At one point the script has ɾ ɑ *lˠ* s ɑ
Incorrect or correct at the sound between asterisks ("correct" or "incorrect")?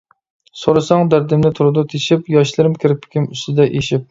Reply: incorrect